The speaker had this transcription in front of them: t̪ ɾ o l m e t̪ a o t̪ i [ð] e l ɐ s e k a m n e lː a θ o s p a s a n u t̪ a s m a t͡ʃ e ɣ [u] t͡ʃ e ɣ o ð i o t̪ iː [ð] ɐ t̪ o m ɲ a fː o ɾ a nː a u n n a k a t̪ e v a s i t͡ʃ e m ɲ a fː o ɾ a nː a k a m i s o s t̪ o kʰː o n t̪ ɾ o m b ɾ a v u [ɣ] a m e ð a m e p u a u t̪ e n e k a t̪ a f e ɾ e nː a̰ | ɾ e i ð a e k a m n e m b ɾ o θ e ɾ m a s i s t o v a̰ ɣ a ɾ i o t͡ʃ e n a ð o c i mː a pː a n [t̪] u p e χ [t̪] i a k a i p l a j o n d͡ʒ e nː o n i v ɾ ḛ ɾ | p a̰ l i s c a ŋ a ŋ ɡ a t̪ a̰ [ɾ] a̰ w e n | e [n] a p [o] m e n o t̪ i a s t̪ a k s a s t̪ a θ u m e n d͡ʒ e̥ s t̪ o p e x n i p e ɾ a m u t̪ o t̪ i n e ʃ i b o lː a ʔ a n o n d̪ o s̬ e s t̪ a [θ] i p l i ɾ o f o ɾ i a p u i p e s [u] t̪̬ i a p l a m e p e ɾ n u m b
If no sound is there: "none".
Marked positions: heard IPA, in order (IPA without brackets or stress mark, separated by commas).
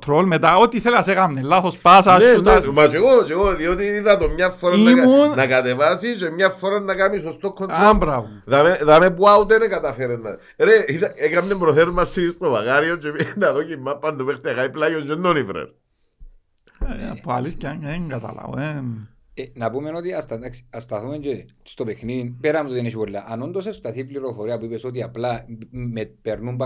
θ, o, ð, ð, d̪, t̪, l, n, u, θ, o